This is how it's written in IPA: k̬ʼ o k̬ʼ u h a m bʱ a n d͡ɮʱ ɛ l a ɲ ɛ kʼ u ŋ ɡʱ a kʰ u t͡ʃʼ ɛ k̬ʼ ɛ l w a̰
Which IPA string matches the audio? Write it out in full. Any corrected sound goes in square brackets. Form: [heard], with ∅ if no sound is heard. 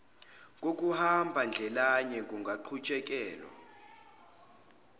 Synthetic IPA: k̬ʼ o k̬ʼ u h a m bʱ a n d͡ɮʱ ɛ l a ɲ ɛ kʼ u ŋ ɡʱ a [ǃʰ] u t͡ʃʼ ɛ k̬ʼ [ɛː] l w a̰